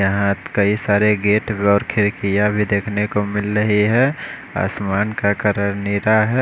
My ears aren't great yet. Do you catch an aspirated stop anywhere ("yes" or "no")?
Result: yes